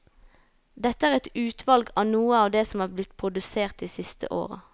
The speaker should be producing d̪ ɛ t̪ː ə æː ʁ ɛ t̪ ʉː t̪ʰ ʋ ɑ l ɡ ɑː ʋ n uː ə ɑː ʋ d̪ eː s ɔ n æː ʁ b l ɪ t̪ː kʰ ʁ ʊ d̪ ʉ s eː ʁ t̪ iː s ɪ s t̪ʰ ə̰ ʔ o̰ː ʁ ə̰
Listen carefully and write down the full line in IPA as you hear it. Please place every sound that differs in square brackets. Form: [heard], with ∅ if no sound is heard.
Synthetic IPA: d̪ ɛ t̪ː ə æː ʁ ɛ t̪ ʉː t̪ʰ ʋ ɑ l ɡ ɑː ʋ n uː ə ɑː ʋ d̪ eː s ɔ [m] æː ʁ b l ɪ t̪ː [pʰ] ʁ ʊ d̪ ʉ s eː ʁ t̪ iː s ɪ s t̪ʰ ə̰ ʔ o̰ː ʁ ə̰